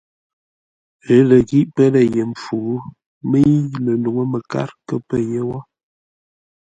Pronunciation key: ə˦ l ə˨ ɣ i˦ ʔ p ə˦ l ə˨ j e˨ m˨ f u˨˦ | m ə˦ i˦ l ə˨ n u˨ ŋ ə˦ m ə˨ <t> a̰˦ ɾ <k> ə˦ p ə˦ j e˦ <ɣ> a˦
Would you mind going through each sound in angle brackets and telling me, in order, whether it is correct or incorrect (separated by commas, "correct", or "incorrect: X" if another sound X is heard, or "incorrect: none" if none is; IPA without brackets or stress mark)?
incorrect: k, correct, incorrect: w